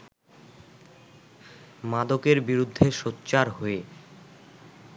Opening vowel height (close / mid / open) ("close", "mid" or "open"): open